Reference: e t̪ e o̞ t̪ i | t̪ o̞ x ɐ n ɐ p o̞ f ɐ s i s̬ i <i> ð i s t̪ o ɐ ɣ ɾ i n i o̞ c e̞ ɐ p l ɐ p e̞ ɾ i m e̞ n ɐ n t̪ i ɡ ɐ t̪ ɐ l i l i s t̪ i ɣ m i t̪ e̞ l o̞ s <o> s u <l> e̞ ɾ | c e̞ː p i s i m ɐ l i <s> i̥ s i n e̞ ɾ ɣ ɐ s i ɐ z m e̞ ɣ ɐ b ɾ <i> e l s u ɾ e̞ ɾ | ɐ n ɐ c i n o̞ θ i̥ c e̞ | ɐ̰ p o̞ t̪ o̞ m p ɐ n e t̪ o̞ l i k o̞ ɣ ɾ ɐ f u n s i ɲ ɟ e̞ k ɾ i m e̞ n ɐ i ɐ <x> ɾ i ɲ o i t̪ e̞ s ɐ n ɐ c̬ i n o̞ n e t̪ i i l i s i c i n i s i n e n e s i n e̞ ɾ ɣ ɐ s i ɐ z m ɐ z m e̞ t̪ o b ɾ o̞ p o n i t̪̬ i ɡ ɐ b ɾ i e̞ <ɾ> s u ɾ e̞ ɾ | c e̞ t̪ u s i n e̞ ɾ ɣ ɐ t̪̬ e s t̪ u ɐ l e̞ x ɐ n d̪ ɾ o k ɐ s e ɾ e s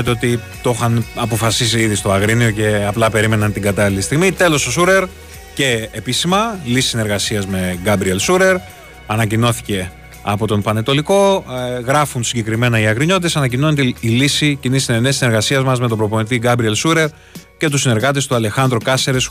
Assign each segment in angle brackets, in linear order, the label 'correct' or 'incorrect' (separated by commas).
correct, correct, incorrect, correct, correct, incorrect, incorrect